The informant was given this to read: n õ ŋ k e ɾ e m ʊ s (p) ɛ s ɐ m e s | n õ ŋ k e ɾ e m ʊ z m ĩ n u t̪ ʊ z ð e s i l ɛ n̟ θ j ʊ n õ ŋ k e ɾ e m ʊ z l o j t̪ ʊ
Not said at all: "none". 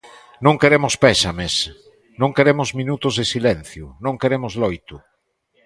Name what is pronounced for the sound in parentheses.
p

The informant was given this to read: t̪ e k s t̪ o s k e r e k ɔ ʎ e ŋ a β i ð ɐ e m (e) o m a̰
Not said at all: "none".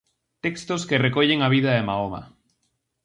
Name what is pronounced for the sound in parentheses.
a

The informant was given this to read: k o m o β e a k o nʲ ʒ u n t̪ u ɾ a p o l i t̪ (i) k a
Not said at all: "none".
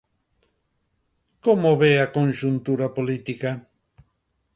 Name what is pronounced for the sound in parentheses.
i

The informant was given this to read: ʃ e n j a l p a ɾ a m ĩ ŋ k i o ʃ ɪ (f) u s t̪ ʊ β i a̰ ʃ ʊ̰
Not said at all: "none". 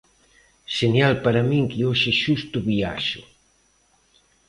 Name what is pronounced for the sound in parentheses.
ʃ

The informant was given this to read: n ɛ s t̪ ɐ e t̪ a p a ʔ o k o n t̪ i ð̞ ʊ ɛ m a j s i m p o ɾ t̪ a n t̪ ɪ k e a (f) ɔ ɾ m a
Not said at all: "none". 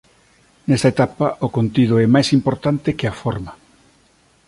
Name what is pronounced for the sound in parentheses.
f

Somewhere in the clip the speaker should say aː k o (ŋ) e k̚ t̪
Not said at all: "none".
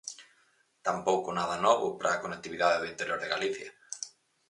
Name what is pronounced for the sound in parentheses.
n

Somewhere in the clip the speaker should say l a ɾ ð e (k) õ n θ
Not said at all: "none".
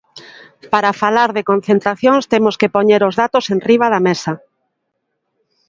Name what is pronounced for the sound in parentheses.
k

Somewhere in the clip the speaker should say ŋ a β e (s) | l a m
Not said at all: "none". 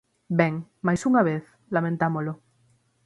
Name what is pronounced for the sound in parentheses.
θ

